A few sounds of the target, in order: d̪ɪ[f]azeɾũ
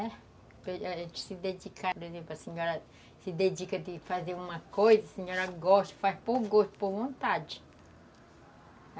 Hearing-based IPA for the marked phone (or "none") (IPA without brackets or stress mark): f